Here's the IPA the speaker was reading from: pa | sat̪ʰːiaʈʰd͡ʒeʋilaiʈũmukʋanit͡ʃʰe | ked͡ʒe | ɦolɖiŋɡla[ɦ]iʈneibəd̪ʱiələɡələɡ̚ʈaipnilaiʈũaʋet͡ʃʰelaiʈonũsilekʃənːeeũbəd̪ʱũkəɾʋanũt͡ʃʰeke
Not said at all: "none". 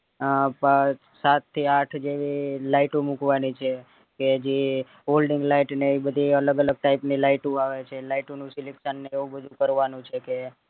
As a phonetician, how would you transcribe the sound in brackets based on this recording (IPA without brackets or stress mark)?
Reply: none